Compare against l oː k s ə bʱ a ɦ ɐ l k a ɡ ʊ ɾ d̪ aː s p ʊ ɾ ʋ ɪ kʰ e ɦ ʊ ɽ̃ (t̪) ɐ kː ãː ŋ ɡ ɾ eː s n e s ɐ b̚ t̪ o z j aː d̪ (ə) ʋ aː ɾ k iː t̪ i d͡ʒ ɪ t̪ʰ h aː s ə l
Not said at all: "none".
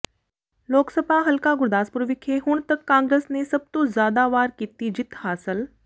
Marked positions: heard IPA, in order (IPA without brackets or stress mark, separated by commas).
t̪, a